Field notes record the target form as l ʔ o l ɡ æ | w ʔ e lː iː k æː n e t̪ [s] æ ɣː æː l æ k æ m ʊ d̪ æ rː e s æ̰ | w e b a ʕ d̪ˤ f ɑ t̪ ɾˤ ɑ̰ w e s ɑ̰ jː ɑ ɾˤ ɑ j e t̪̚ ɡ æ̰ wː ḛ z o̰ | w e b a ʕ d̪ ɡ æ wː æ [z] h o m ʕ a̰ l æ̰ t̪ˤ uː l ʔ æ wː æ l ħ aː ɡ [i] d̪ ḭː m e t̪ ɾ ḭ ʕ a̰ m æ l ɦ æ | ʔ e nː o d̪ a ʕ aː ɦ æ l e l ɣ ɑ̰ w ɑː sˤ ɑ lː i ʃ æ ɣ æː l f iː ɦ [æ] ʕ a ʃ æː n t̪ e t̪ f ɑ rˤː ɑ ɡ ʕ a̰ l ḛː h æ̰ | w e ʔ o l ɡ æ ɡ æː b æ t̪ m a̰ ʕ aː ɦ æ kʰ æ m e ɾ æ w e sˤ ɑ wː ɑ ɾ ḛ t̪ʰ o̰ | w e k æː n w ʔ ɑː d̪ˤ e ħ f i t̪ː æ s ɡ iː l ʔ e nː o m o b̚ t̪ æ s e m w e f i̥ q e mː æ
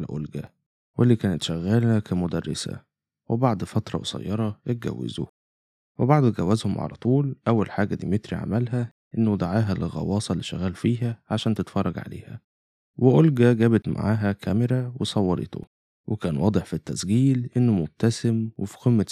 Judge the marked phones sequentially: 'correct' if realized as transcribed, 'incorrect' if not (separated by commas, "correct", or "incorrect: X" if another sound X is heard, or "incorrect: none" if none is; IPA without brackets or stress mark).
incorrect: ʃ, correct, incorrect: æ, correct